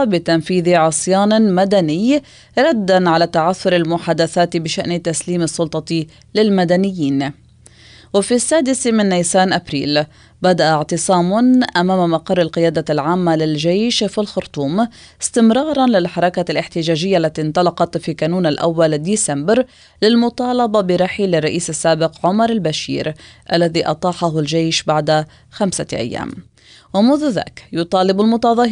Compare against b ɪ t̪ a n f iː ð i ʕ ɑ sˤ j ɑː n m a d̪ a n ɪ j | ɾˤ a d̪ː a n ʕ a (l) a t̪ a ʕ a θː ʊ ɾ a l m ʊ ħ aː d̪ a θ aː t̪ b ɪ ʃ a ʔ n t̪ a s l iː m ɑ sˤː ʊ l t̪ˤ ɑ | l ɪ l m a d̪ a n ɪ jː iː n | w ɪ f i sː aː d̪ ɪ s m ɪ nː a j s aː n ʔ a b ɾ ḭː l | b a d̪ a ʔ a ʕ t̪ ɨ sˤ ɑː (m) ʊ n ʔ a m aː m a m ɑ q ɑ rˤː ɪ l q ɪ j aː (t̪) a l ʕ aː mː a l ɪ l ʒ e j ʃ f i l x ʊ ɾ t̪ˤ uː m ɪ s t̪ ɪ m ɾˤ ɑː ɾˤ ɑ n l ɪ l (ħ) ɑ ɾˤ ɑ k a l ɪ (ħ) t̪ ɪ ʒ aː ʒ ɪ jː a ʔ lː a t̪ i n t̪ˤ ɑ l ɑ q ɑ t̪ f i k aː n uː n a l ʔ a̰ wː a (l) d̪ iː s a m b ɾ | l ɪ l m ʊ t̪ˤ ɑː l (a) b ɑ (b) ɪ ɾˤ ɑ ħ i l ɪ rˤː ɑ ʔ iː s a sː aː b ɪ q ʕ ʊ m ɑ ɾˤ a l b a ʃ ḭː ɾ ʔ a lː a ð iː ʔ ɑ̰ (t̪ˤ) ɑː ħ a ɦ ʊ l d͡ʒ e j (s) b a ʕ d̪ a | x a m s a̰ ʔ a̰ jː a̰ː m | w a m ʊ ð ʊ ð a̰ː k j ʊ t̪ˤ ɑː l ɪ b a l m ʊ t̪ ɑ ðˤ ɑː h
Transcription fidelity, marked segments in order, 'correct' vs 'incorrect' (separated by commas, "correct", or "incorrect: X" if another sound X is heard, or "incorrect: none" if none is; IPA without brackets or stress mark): correct, correct, incorrect: d̪, correct, correct, correct, incorrect: ɑ, correct, correct, incorrect: ʃ